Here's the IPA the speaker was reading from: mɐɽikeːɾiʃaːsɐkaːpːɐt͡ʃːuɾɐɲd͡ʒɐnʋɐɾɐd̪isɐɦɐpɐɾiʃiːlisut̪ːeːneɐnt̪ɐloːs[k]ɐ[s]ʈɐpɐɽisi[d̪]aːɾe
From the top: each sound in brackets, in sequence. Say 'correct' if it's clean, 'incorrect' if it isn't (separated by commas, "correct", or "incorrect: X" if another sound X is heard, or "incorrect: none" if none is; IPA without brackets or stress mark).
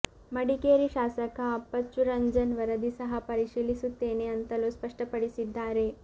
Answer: incorrect: p, incorrect: ʂ, incorrect: d̪ː